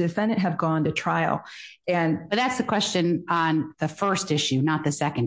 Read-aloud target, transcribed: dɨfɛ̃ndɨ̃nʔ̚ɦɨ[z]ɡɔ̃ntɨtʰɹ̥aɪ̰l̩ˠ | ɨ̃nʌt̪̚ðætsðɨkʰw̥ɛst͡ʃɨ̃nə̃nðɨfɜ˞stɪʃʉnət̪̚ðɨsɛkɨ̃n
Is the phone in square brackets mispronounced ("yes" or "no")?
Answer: yes